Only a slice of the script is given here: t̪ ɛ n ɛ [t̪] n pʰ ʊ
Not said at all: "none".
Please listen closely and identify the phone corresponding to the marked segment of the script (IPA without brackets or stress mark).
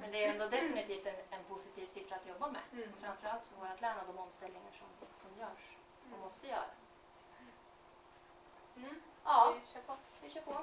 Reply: none